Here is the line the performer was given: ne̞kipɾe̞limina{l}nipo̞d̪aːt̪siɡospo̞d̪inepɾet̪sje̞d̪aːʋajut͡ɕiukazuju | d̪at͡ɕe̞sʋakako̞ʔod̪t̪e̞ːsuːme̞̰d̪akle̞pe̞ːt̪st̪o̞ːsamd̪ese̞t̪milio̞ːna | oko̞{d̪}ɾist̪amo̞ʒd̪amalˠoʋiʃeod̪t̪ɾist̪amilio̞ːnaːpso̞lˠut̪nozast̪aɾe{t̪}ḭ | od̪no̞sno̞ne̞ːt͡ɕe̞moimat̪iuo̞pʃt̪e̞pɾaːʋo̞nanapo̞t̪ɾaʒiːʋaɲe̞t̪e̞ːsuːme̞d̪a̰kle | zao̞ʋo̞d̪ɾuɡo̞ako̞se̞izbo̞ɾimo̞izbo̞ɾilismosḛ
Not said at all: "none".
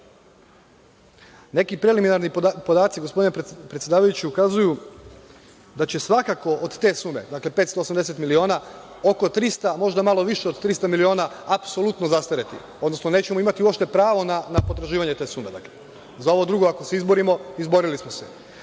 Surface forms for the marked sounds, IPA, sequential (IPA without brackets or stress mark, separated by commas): ɾ, t̪, t̪